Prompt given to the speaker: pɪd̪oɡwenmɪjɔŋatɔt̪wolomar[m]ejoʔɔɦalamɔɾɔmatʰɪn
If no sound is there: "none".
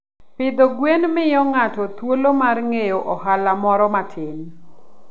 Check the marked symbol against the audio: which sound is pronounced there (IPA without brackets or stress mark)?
ŋ